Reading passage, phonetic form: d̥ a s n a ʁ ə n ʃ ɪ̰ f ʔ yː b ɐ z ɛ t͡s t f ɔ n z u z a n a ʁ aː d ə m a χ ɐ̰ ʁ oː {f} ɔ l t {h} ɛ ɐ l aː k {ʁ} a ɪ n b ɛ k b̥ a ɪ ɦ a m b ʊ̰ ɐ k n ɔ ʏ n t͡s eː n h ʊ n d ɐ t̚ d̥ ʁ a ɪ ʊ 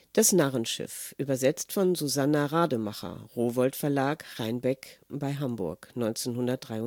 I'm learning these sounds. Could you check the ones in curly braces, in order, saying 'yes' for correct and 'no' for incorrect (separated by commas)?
no, no, yes